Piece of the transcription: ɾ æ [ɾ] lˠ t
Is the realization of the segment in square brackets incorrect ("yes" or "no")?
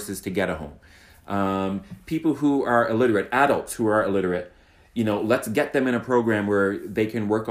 no